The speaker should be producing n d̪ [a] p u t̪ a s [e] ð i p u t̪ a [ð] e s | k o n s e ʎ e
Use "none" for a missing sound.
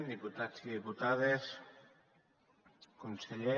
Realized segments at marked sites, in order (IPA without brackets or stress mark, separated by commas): i, i, ð